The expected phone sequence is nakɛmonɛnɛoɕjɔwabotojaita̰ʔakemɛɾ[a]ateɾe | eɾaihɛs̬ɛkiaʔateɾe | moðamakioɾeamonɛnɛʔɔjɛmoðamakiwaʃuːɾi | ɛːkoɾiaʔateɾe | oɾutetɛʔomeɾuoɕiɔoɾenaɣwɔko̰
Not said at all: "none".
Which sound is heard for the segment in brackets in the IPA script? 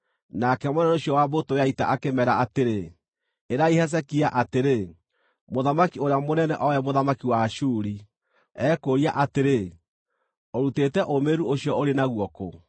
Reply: a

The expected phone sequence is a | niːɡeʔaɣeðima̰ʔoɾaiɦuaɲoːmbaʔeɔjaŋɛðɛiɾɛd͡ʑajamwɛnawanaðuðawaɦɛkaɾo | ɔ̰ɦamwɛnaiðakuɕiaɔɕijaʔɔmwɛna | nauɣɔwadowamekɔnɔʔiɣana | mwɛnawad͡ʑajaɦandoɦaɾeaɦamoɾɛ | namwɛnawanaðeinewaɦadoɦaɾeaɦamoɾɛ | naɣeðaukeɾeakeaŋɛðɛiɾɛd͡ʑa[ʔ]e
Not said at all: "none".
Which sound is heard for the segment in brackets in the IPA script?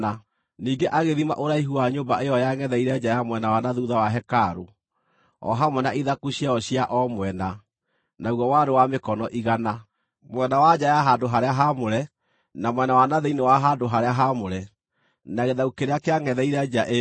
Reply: ʔ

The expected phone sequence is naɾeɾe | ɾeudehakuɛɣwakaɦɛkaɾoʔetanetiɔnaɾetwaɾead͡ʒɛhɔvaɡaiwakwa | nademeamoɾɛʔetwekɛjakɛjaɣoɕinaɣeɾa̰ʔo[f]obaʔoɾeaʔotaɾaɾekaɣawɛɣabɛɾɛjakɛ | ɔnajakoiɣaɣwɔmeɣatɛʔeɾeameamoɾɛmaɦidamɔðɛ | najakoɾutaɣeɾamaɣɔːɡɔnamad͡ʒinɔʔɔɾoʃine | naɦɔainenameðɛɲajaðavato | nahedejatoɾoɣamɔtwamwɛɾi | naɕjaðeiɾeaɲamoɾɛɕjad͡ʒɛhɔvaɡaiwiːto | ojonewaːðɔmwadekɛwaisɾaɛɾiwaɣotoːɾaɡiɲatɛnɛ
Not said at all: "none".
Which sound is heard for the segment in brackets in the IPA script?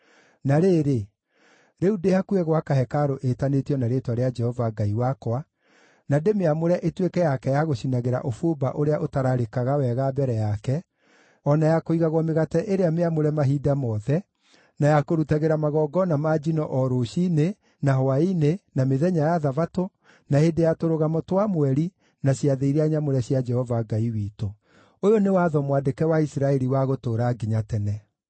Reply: f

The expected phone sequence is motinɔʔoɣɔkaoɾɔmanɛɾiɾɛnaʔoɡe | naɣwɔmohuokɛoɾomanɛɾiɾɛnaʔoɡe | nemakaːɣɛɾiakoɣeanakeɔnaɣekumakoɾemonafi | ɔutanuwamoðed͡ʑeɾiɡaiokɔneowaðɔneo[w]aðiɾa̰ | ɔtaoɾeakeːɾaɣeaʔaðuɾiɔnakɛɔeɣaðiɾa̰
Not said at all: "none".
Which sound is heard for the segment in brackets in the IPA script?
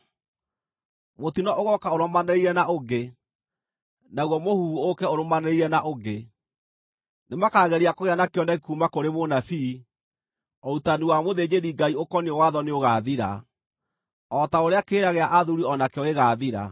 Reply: ɣ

